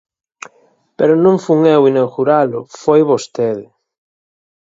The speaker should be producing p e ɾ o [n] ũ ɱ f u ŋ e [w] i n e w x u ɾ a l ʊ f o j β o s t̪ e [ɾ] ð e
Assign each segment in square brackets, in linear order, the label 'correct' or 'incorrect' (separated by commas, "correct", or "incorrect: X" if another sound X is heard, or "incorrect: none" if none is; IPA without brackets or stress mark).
correct, correct, incorrect: none